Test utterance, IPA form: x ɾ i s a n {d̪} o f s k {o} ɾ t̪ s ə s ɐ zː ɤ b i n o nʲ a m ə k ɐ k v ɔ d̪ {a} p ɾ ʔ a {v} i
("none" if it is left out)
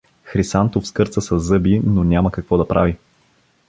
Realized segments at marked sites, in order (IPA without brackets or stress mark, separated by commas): t̪, ɤ, ɐ, v